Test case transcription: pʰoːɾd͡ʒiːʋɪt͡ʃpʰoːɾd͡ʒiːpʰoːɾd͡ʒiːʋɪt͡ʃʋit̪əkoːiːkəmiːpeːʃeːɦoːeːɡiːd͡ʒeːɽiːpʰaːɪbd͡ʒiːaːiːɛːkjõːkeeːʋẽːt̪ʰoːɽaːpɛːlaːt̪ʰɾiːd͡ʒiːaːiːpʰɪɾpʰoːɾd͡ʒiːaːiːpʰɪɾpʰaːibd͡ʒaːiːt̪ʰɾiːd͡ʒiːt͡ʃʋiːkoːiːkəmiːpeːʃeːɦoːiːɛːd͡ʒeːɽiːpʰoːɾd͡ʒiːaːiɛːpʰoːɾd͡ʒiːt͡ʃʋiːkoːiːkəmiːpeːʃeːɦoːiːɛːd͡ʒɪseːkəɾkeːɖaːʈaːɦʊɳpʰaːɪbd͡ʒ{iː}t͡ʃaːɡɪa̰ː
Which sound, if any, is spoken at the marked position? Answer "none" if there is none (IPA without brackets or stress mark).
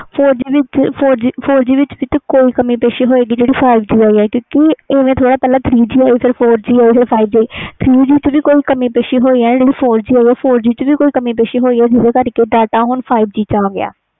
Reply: iː